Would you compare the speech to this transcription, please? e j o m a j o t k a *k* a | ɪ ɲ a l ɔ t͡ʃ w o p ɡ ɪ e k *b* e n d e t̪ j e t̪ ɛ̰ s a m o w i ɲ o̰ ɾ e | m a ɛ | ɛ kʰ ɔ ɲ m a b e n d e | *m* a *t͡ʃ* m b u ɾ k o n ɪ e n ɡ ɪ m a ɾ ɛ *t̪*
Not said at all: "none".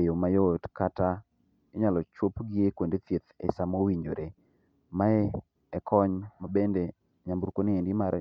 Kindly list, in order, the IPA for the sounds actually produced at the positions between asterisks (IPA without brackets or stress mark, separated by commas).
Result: t, w, ɲ, none, none